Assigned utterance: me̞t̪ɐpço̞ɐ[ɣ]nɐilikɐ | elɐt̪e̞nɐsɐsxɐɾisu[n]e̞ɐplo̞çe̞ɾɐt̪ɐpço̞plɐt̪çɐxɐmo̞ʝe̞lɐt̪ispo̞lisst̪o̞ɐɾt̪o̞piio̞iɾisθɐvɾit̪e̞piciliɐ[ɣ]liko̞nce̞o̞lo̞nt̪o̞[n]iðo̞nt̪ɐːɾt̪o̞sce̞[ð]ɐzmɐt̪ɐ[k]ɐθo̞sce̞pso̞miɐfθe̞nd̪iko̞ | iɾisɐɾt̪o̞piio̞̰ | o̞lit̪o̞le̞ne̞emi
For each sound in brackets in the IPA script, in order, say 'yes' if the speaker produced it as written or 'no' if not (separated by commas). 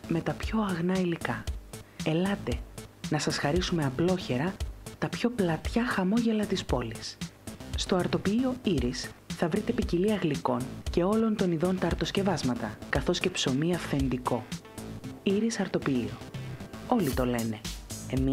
yes, no, yes, yes, no, yes